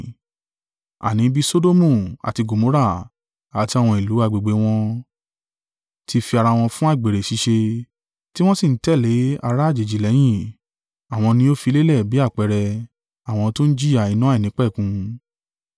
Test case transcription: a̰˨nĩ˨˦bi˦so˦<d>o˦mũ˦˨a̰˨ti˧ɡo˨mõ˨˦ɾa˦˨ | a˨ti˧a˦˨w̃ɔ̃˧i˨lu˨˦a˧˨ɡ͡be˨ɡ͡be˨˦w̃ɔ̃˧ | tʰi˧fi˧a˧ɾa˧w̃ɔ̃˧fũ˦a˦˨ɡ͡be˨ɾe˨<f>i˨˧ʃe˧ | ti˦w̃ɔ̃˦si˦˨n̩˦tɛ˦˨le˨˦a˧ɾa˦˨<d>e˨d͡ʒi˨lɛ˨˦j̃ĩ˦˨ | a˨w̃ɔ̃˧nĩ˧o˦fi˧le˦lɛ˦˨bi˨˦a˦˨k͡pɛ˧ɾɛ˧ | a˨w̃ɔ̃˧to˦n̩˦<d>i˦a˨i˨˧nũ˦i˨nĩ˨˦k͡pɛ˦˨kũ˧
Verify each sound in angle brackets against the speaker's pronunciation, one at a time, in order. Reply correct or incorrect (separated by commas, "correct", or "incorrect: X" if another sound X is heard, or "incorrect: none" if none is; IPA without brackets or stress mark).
correct, incorrect: ʃ, incorrect: d͡ʒ, incorrect: d͡ʒ